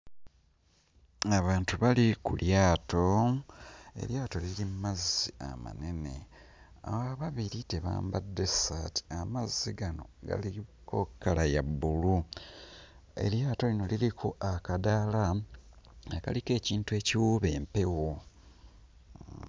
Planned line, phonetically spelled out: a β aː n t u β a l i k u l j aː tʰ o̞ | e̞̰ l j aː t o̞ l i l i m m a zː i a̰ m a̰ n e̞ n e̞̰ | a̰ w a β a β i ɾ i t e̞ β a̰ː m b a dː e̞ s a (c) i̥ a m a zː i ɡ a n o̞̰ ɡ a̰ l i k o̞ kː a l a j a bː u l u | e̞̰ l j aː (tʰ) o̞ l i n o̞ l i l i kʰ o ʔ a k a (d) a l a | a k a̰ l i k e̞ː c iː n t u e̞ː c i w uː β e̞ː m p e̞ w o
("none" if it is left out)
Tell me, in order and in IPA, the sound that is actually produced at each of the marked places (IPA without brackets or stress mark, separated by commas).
t, t, d